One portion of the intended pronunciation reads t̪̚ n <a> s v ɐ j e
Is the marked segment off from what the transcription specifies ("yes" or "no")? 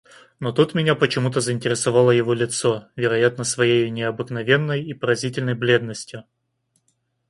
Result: yes